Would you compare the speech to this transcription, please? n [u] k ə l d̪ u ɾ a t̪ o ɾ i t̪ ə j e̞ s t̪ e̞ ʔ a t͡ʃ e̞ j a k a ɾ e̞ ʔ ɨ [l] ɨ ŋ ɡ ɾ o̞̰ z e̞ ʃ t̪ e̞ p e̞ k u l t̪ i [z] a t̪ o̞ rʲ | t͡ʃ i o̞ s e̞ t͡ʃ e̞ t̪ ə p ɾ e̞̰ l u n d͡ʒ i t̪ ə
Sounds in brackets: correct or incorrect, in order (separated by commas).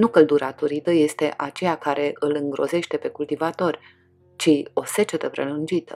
correct, correct, incorrect